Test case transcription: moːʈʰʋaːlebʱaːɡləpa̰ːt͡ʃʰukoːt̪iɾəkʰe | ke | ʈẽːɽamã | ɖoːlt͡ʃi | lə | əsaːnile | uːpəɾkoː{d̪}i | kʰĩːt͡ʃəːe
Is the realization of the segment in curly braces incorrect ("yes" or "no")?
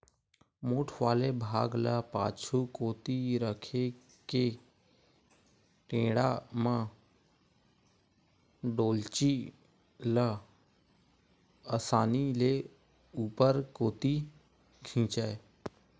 yes